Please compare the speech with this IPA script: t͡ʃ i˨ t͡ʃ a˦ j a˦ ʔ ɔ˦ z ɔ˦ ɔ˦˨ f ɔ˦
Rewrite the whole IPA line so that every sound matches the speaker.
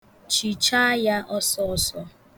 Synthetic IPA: t͡ʃ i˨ t͡ʃ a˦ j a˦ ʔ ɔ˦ s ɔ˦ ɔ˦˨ s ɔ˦